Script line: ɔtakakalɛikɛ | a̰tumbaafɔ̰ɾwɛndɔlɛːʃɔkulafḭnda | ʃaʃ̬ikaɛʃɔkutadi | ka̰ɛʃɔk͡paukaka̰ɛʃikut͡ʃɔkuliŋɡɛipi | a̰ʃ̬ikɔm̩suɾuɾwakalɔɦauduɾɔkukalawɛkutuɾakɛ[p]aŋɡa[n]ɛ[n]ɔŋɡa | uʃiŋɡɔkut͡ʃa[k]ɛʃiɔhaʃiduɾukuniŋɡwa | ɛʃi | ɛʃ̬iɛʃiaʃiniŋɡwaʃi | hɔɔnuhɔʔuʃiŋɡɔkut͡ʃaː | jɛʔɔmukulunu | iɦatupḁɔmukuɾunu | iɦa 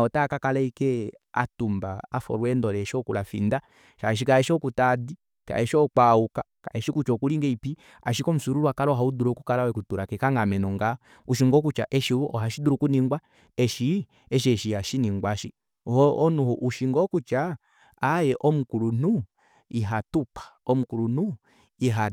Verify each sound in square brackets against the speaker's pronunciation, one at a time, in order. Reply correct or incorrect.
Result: incorrect, incorrect, correct, incorrect

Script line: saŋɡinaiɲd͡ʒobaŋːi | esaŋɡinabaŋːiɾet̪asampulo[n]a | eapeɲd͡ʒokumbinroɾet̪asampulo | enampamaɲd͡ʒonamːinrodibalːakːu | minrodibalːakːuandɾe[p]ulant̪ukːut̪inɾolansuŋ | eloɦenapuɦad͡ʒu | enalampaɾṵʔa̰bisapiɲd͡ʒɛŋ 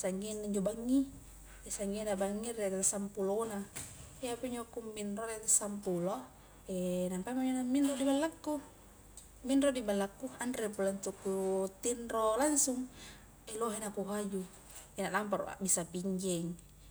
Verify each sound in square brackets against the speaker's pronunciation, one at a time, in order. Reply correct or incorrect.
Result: correct, correct

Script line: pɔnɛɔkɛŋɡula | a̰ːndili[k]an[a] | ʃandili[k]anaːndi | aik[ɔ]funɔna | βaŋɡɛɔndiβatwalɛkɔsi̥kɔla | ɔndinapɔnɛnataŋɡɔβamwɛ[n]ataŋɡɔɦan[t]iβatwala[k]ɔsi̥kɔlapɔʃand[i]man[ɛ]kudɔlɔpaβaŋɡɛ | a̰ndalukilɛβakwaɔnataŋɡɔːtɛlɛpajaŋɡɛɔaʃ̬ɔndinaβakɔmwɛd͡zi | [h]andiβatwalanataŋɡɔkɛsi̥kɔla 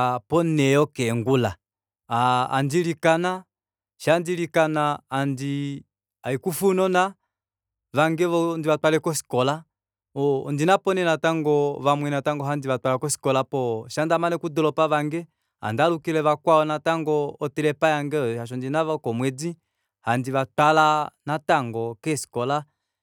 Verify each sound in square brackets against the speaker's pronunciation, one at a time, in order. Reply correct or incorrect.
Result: correct, correct, correct, incorrect, correct, incorrect, correct, incorrect, correct, correct

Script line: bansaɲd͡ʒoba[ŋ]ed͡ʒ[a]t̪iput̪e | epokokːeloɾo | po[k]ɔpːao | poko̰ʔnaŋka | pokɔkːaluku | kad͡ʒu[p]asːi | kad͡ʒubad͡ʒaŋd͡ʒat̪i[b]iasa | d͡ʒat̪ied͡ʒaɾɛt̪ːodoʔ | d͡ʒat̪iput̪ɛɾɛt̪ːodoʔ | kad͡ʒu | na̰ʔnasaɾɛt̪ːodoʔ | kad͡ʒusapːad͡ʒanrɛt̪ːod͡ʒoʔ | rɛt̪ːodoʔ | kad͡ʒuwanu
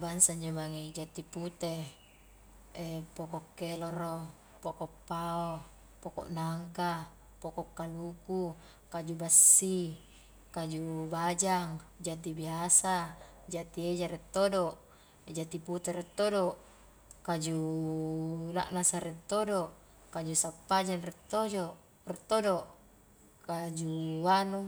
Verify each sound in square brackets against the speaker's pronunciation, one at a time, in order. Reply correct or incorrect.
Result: correct, correct, correct, incorrect, correct

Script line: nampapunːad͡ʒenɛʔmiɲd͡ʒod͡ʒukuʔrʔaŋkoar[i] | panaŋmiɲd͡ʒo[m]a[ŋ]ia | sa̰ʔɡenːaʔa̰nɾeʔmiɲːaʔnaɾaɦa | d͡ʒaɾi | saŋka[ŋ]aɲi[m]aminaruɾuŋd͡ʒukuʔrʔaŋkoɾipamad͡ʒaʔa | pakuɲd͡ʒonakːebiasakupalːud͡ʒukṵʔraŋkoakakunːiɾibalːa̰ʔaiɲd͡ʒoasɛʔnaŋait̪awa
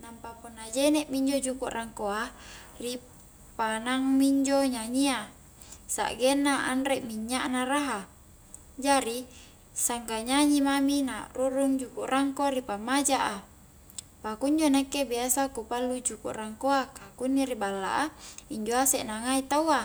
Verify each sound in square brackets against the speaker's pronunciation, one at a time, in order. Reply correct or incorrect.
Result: correct, incorrect, incorrect, incorrect, correct

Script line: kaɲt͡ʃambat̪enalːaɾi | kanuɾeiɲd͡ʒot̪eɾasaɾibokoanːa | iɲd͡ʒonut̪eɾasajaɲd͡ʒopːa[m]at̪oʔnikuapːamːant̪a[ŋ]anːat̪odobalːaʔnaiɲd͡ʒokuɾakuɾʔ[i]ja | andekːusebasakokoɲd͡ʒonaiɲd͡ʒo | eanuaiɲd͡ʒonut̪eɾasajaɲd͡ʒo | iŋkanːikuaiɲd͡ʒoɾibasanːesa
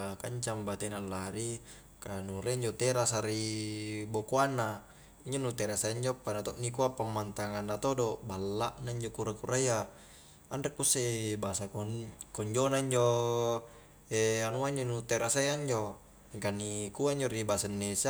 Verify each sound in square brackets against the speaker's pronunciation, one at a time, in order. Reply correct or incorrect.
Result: incorrect, correct, incorrect

